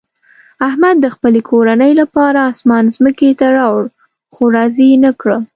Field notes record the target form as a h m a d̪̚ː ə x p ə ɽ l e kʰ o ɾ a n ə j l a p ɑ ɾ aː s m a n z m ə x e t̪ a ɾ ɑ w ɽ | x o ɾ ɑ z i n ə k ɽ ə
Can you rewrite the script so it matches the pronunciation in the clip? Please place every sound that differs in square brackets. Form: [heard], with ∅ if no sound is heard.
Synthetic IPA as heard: a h m a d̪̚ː ə x p ə [∅] l e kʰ o ɾ a n ə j l a p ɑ ɾ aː s m [ɑ] n z m ə [k] e t̪ a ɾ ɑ w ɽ | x o ɾ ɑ z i n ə k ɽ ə